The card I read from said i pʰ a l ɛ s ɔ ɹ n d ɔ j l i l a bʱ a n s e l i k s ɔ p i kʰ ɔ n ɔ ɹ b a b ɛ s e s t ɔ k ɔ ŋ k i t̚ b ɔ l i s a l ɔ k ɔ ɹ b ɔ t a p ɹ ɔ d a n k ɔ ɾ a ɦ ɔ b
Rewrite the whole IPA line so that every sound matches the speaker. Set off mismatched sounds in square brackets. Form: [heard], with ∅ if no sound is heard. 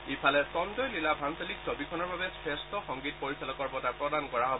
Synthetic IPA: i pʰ a l ɛ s ɔ [∅] n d ɔ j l i l a bʱ a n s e l i k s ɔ [b] i kʰ ɔ n ɔ ɹ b a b ɛ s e s t ɔ [x] ɔ ŋ [ɡ] i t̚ [p] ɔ [ɹ] i s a l ɔ k ɔ ɹ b ɔ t a p ɹ ɔ d a n k ɔ [ɹ] a ɦ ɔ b